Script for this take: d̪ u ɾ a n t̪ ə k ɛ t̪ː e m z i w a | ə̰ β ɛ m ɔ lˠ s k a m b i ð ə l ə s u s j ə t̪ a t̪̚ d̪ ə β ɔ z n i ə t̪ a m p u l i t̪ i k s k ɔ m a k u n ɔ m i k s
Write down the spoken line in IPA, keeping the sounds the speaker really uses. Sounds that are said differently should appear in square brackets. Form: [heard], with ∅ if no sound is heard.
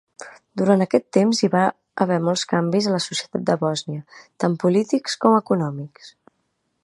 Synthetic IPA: d̪ u ɾ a n t̪ ə k ɛ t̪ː e m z i [β] a | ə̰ β ɛ m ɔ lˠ s k a m b i [z] ə l ə s u s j ə t̪ a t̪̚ d̪ ə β ɔ z n i ə t̪ a m p u l i t̪ i k s k ɔ m [ə] k u n ɔ m i k s